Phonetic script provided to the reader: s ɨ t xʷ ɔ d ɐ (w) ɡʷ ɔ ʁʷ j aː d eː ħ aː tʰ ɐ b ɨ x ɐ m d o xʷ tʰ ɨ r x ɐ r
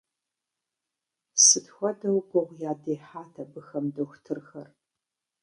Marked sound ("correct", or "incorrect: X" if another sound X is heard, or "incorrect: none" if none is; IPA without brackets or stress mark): correct